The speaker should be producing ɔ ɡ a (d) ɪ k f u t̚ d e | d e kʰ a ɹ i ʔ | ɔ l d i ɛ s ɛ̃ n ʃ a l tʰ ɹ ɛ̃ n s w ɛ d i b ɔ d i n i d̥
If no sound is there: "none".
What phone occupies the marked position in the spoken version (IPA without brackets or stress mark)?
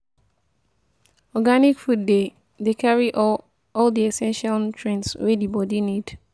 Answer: n